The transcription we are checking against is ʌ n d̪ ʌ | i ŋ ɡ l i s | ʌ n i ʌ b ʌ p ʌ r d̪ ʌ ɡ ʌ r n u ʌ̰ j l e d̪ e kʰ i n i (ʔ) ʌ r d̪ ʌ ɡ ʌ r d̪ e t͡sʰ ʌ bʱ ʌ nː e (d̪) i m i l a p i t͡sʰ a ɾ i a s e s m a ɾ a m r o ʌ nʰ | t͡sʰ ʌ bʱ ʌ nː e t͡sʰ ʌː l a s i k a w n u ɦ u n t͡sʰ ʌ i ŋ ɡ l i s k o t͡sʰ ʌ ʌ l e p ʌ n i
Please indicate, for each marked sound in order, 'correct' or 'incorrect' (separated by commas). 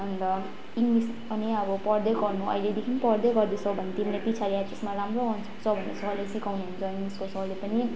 incorrect, incorrect